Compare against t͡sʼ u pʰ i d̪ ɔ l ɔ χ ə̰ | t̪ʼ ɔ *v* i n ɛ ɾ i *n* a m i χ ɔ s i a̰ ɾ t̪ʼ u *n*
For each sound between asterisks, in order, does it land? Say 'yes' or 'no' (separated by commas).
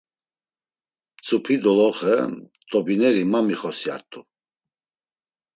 no, no, no